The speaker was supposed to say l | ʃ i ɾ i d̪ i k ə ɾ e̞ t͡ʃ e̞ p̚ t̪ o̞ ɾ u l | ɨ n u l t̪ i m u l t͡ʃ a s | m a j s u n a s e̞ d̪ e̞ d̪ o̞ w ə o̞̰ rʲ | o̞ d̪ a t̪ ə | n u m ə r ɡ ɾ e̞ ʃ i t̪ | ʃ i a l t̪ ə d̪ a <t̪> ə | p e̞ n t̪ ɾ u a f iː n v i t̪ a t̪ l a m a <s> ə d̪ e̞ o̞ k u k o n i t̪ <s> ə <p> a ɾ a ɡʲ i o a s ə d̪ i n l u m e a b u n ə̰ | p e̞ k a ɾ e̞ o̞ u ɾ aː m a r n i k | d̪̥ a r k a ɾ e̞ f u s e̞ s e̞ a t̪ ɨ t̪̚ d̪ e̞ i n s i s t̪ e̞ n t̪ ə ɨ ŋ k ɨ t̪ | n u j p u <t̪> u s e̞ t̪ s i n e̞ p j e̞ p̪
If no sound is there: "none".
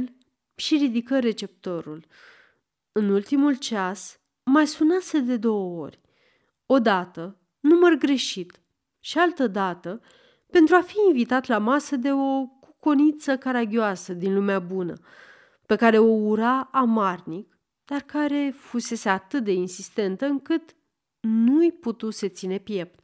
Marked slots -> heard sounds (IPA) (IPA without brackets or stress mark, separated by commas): t̪, s, s, k, t̪